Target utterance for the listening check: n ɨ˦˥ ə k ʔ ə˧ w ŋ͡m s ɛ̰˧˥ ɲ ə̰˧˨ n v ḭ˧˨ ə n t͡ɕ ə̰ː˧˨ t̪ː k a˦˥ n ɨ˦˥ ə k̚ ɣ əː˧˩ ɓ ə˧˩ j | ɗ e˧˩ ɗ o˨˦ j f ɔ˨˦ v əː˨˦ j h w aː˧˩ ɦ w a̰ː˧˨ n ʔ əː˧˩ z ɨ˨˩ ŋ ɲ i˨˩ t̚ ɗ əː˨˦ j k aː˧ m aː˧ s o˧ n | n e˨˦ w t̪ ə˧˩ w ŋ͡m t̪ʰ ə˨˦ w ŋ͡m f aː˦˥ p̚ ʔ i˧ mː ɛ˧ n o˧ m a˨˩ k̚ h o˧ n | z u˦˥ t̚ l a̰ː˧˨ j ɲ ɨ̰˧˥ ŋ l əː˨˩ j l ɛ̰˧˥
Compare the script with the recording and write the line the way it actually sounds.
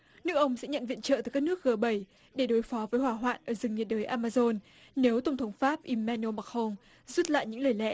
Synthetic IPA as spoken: n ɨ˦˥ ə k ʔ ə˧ w ŋ͡m s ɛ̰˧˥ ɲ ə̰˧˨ n v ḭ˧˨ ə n t͡ɕ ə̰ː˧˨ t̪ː k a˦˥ n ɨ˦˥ ə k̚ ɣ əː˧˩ ɓ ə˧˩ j | ɗ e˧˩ ɗ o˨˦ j f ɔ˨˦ v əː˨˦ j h w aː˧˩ ɦ w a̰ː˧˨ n ʔ əː˧˩ z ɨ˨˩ ŋ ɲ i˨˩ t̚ ɗ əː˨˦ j ʔ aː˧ m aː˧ z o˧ n | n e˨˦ w t̪ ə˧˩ w ŋ͡m t̪ʰ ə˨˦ w ŋ͡m f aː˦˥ p̚ ʔ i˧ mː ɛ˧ n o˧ m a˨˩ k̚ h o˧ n | z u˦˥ t̚ l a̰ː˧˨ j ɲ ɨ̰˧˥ ŋ l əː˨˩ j l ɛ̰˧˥

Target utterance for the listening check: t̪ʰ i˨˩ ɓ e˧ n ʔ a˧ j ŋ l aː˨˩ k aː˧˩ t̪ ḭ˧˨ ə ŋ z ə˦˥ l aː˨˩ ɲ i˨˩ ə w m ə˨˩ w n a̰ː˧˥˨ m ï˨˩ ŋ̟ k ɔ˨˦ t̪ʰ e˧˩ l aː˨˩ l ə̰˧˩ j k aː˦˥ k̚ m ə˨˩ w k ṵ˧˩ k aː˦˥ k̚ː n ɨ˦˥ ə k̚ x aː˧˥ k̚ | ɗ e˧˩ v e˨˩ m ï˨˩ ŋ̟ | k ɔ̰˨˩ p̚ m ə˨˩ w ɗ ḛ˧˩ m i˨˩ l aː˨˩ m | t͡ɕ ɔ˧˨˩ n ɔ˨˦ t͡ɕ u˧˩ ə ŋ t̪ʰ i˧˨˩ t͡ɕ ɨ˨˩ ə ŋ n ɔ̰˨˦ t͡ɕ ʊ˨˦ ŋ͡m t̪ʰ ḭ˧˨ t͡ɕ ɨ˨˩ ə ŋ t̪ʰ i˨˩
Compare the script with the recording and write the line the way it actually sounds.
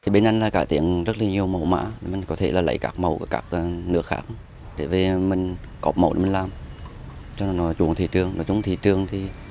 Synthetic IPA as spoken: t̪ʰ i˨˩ ɓ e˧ n ʔ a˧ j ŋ l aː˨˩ k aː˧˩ t̪ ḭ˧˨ ə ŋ z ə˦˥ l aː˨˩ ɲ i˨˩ ə w m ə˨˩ w m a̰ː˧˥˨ m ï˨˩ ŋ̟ k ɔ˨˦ t̪ʰ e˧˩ l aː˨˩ l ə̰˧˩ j k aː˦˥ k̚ m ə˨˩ w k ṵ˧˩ k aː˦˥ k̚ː n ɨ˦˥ ə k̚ x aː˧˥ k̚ | ɗ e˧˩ v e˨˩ m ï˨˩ ŋ̟ | k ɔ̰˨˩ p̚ m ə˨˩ w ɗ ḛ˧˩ m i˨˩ l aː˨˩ m | t͡ɕ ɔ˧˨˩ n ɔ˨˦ t͡ɕ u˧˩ ə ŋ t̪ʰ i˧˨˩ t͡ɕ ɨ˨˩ ə ŋ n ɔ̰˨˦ t͡ɕ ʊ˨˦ ŋ͡m t̪ʰ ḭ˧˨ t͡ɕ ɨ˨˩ ə ŋ t̪ʰ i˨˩

